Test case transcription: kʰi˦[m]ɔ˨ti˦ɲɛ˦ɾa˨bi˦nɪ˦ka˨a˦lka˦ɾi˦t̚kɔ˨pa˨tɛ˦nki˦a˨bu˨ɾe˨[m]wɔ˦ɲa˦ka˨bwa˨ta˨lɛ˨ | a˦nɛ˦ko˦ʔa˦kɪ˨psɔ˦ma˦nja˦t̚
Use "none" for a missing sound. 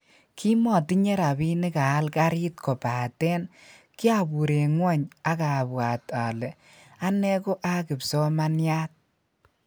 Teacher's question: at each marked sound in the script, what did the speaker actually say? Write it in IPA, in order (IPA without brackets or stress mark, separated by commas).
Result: m, ŋ